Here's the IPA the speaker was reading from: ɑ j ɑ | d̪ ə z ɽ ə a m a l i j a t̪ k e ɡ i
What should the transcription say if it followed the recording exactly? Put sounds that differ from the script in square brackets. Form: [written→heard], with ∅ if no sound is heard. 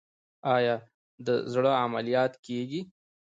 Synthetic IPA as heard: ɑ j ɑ | d̪ ə z ɽ ə a m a l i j [a→ɑ] t̪ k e ɡ i